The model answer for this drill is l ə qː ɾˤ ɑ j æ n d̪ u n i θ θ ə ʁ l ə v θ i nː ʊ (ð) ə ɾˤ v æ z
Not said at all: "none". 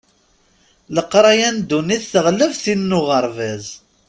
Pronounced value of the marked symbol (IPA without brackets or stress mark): ʁ